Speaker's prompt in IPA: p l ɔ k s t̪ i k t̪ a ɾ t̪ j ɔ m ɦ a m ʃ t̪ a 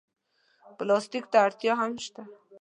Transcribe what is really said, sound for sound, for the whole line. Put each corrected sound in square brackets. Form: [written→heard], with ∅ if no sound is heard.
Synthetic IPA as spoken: p l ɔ [k→∅] s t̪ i k t̪ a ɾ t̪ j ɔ [m→∅] ɦ a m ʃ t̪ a